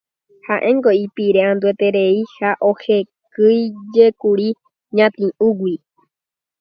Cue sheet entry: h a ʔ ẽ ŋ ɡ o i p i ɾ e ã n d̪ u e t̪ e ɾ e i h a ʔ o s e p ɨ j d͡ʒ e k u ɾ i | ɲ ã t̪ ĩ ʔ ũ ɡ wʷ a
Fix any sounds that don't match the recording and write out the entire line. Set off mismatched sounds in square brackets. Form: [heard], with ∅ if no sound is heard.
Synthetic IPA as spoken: h a ʔ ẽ ŋ ɡ o i p i ɾ e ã n d̪ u e t̪ e ɾ e i h a ʔ o [h] e [k] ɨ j d͡ʒ e k u ɾ i | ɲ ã t̪ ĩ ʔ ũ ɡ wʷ [i]